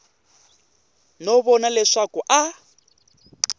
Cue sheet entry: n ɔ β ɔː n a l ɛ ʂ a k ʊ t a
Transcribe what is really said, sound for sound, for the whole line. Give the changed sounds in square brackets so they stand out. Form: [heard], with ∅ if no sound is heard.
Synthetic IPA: n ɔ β [ɔ] n a l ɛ ʂ a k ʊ [ʔ] a